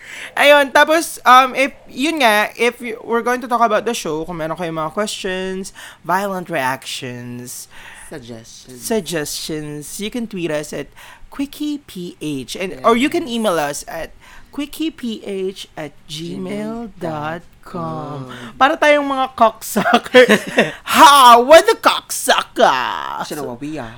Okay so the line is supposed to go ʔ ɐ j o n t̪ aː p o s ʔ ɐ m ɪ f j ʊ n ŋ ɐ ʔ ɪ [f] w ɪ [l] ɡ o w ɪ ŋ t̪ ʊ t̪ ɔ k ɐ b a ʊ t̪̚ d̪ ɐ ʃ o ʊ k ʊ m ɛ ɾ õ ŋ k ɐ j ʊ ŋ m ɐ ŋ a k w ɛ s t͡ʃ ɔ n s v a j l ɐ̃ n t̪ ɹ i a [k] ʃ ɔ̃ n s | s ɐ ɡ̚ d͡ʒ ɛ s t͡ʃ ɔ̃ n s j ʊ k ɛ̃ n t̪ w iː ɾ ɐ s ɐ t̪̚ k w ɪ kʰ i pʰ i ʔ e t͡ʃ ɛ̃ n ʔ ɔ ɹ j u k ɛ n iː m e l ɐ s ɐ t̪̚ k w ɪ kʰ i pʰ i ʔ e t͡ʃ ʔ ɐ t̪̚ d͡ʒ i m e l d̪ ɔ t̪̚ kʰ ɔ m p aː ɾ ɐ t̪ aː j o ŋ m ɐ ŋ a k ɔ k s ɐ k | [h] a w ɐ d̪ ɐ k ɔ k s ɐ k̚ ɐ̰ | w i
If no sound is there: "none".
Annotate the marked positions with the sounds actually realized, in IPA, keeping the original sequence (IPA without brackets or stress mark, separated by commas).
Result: f, ɹ, k, h